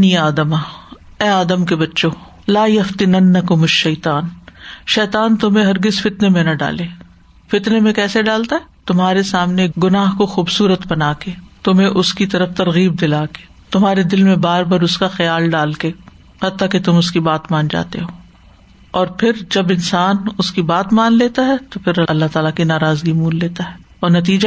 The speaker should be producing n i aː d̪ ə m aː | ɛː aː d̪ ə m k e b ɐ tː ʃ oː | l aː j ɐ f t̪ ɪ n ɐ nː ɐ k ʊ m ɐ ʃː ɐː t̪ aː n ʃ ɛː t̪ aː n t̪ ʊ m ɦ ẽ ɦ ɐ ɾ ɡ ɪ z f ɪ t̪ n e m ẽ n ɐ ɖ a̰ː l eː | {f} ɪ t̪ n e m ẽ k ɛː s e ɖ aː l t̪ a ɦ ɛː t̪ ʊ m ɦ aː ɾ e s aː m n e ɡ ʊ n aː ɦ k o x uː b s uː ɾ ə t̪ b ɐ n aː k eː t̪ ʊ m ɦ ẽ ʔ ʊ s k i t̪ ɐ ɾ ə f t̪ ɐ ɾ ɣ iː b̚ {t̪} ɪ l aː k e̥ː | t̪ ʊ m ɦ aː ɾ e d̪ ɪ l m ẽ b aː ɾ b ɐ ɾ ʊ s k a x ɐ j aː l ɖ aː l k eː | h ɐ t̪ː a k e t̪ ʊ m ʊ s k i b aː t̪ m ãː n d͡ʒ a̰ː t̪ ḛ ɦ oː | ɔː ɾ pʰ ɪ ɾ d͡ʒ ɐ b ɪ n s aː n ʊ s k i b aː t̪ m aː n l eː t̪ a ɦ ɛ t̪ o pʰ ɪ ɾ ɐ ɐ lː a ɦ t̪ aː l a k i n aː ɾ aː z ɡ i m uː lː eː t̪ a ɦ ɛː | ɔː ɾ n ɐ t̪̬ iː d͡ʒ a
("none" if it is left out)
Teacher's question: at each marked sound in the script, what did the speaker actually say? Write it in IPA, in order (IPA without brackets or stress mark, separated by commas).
f, d̪